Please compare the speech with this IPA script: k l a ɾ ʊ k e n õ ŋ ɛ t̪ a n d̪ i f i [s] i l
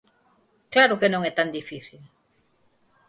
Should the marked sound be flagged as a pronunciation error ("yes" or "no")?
yes